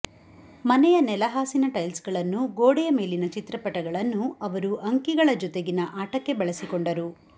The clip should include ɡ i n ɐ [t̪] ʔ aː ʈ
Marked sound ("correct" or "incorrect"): incorrect